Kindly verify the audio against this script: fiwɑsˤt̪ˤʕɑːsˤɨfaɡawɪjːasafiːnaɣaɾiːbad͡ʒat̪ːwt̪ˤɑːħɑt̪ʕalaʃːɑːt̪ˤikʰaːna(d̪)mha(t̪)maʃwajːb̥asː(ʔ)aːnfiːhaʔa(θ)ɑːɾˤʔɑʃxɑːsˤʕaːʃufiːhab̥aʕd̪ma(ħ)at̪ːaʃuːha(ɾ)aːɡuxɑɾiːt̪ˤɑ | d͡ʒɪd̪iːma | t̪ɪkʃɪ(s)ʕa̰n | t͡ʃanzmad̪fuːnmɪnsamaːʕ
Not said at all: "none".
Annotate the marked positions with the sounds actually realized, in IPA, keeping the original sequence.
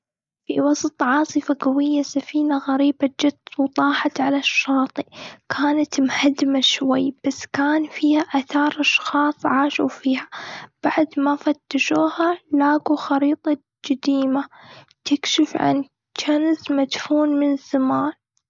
t̪, d̪, k, θ, f, l, f

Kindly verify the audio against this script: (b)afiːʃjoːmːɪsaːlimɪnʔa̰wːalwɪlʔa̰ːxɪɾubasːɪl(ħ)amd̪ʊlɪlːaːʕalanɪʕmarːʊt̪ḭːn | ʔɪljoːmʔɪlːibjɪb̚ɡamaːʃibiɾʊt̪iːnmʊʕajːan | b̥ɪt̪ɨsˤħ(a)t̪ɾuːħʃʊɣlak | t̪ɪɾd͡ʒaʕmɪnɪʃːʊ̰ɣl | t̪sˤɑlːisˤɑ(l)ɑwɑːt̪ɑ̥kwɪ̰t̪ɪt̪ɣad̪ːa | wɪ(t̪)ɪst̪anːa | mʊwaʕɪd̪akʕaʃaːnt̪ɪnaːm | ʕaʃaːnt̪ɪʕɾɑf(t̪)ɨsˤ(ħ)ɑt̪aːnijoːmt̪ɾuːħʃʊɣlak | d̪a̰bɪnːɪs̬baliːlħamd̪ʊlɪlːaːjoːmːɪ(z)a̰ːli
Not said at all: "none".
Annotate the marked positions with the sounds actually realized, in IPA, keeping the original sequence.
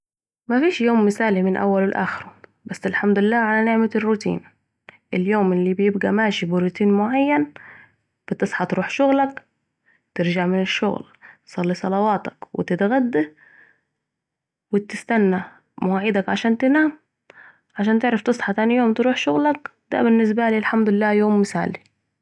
m, ħ, ɑ, l, t̪, t̪, ħ, s

